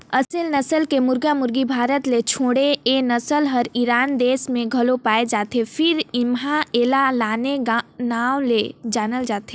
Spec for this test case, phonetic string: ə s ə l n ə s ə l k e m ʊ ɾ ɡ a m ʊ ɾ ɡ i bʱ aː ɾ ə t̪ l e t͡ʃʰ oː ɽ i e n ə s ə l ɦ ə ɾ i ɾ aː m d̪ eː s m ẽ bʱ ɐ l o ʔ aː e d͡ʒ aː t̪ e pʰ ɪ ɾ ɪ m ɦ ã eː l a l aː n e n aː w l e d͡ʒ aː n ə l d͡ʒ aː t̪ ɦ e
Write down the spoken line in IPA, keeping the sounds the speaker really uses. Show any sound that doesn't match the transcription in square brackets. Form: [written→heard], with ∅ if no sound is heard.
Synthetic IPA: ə s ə l n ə s ə l k e m ʊ ɾ ɡ a m ʊ ɾ ɡ i bʱ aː ɾ ə t̪ l e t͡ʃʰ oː ɽ [i→e] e n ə s ə l ɦ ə ɾ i ɾ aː [m→n] d̪ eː s m ẽ [bʱ→ɡʱ] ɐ l o [ʔ→p] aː e d͡ʒ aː t̪ e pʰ ɪ ɾ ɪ m ɦ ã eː l a l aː n e n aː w l e d͡ʒ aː n ə l d͡ʒ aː t̪ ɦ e